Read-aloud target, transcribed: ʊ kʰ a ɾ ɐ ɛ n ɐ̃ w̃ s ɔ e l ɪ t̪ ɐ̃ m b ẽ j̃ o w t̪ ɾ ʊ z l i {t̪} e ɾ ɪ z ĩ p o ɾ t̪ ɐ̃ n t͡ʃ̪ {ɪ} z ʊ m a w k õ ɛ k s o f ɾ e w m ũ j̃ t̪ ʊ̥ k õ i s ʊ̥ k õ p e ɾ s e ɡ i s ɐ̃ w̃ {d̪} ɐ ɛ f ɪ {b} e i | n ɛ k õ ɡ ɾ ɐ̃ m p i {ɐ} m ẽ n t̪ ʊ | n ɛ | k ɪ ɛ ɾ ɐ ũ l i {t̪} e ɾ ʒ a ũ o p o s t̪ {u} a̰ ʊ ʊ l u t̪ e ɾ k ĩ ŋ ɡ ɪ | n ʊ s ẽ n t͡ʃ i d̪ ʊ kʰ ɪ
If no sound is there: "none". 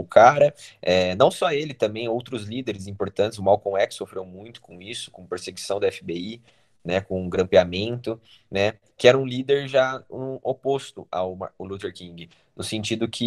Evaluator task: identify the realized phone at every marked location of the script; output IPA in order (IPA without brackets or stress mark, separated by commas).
d̪, ɪ, d̪, b, a, d̪, ʊ